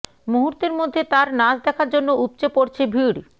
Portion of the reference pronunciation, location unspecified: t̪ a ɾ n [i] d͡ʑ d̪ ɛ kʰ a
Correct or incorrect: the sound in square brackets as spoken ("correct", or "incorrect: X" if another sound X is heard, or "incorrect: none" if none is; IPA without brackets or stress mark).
incorrect: a